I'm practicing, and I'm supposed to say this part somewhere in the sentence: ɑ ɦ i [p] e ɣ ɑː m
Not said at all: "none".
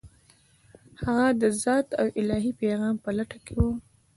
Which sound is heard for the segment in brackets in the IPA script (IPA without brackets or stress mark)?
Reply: p